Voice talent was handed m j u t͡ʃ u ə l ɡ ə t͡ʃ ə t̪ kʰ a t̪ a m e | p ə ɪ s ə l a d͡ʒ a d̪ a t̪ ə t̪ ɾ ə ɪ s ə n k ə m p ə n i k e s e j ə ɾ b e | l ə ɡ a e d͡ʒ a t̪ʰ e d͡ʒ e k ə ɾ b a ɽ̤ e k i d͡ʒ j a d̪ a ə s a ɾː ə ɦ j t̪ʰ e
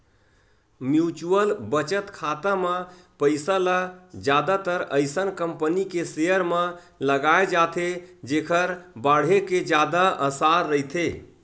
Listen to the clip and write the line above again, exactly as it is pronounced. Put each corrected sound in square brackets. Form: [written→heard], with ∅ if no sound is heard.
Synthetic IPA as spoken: m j u t͡ʃ u ə l [ɡ→b] ə t͡ʃ ə t̪ kʰ a t̪ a m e | p ə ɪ s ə l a d͡ʒ a d̪ a t̪ ə [t̪→∅] ɾ ə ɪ s ə n k ə m p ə n i k e s e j ə ɾ [b→m] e | l ə ɡ a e d͡ʒ a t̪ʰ e d͡ʒ e [k→kʰ] ə ɾ b a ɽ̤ e k [i→e] d͡ʒ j a d̪ a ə s a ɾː ə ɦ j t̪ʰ e